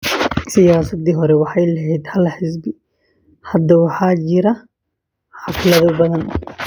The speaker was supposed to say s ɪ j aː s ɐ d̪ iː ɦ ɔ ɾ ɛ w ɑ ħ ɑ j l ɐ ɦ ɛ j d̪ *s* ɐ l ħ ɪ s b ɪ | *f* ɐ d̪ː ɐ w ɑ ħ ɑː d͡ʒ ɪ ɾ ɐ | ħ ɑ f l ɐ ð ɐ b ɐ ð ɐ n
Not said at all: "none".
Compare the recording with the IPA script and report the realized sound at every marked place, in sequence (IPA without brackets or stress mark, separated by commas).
h, h